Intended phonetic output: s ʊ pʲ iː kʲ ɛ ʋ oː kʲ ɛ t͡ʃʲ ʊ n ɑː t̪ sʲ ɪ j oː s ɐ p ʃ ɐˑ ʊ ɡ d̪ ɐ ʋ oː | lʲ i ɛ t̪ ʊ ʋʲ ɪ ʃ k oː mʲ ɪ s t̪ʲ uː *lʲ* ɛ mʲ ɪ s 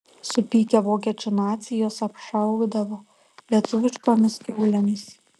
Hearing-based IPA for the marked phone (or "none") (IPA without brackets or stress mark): lʲ